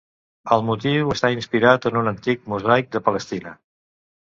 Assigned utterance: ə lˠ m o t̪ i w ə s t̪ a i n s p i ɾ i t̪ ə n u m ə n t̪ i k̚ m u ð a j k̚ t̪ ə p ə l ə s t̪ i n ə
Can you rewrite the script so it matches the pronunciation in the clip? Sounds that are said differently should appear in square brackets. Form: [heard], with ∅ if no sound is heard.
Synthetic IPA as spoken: ə lˠ m [u] t̪ i w ə s t̪ a i n s p i ɾ [a] t̪ ə n u [n] ə n t̪ i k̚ m u [z] a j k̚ [d̪] ə p ə l ə s t̪ i n ə